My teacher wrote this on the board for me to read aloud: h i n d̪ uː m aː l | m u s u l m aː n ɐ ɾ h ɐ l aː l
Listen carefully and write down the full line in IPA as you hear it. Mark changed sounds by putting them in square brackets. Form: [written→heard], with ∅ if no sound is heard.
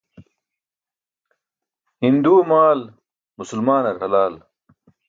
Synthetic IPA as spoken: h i n d̪ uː m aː l | m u s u l m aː n ɐ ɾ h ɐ l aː l

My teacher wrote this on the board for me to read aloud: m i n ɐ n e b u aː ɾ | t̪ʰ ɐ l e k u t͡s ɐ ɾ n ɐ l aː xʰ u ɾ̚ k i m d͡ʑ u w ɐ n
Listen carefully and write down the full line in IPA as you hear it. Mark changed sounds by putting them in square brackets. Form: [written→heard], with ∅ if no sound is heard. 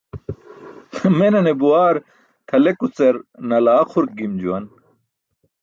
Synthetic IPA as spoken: m [i→e] n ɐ n e b u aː ɾ | t̪ʰ ɐ l e k u t͡s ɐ ɾ n ɐ l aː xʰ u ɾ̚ [k→ɡ] i m d͡ʑ u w ɐ n

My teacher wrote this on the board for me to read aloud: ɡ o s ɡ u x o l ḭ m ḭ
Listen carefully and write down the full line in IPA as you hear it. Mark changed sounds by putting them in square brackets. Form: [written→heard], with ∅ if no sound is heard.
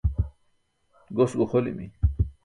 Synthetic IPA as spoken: ɡ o s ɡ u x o l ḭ m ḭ

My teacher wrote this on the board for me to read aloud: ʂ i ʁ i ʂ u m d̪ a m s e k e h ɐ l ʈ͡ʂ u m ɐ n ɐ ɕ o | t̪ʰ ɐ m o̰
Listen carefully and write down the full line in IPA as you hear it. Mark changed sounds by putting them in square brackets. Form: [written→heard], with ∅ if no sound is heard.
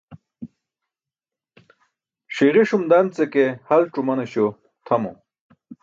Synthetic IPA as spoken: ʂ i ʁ i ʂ u m d̪ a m [s→t͡s] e k e h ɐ l ʈ͡ʂ u m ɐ n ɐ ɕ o | t̪ʰ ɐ m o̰

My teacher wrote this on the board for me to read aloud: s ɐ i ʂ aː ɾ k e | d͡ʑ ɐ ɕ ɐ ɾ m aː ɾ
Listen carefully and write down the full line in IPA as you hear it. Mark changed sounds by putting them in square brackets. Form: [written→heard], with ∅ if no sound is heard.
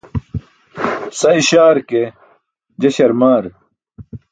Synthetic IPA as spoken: s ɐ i [ʂ→ɕ] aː ɾ k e | d͡ʑ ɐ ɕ ɐ ɾ m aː ɾ

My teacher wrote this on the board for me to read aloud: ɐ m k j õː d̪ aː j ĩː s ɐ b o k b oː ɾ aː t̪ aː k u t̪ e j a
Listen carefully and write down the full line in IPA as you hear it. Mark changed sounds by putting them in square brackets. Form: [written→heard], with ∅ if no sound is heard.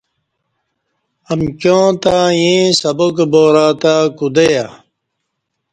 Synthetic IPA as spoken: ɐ m k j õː [d̪→t̪] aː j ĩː s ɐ b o k b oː ɾ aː t̪ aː k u [t̪→d̪] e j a

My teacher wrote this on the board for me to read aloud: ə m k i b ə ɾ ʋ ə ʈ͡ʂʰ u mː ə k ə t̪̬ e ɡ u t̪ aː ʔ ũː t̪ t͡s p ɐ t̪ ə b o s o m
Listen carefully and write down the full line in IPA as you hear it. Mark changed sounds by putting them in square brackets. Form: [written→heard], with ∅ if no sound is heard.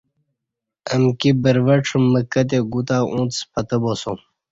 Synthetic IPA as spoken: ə m k i b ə ɾ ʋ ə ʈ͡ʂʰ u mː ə k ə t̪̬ e ɡ u t̪ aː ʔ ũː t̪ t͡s p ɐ t̪ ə b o s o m

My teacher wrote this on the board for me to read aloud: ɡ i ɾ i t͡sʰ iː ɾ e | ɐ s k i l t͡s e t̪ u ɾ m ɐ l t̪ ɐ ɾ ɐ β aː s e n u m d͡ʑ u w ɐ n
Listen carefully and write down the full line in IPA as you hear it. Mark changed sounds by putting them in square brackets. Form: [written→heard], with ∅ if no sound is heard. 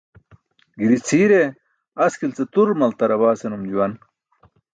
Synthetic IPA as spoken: ɡ i ɾ i t͡sʰ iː ɾ e | ɐ s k i l t͡s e t̪ u ɾ m ɐ l t̪ ɐ ɾ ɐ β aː s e n u m d͡ʑ u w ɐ n

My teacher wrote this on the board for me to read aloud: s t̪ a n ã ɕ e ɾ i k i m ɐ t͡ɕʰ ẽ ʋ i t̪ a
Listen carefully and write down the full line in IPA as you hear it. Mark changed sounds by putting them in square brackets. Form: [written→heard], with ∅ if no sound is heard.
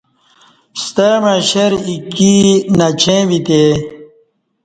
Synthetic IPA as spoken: s t̪ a [n→m] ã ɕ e ɾ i k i [m→n] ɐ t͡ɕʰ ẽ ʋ i t̪ [a→e]

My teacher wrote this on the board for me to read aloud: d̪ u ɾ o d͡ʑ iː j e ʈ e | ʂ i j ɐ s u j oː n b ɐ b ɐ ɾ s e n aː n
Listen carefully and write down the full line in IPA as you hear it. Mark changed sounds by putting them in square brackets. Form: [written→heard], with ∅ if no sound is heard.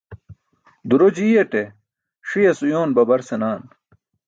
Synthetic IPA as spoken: d̪ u ɾ o d͡ʑ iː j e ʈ e | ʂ i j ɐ s u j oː n b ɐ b ɐ ɾ s e n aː n

